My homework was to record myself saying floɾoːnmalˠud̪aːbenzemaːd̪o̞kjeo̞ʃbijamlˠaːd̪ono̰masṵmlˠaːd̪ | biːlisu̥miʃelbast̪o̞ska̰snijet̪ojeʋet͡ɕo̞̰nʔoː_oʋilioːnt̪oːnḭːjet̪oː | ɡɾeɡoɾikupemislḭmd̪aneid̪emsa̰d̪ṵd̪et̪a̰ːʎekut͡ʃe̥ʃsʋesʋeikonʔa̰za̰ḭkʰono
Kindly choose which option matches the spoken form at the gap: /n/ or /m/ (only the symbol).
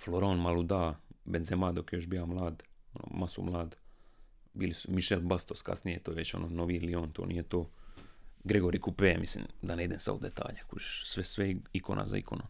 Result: n